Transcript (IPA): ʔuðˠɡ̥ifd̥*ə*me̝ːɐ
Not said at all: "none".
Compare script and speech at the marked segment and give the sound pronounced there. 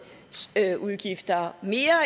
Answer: ɐ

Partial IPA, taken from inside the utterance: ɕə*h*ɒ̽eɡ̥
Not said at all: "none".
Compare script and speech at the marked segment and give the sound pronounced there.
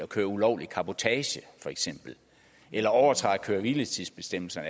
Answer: f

